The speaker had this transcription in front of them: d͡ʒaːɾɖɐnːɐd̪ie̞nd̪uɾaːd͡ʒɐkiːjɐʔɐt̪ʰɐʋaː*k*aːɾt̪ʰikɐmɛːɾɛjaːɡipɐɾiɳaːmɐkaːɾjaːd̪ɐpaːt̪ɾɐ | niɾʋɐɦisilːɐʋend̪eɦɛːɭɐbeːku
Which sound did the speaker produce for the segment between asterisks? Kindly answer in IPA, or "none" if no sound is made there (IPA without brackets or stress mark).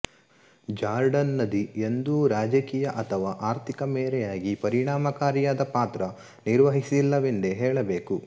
ʔ